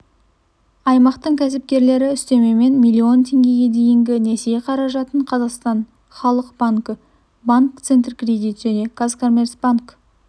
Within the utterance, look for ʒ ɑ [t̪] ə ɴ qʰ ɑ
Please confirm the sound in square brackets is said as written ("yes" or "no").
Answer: yes